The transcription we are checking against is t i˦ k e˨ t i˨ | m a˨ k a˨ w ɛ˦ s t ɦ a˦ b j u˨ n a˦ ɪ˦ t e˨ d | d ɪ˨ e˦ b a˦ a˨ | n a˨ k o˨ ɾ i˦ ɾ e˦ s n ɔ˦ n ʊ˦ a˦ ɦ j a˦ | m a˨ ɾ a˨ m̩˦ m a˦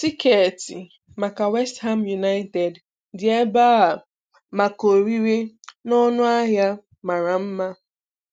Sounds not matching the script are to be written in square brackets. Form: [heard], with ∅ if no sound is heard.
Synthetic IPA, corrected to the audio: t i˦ k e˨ t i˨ | m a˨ k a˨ w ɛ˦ s t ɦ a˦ [m] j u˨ n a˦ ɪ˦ t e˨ d | d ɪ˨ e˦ b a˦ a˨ | [m] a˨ k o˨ ɾ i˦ ɾ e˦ [∅] n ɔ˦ n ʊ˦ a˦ ɦ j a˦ | m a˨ ɾ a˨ m̩˦ m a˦